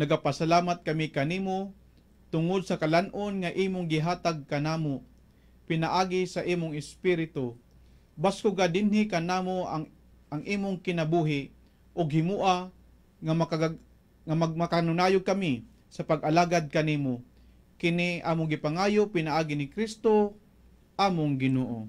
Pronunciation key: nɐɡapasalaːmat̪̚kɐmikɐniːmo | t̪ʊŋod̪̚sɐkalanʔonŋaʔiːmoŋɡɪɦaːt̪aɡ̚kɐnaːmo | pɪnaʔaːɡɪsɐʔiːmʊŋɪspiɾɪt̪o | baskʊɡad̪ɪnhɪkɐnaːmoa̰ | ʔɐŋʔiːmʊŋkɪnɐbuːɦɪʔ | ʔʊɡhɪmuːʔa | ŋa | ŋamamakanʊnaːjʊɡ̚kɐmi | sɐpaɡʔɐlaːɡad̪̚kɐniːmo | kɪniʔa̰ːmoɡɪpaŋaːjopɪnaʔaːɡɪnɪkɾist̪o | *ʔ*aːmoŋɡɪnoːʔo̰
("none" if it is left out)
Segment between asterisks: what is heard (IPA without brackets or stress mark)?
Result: ʔ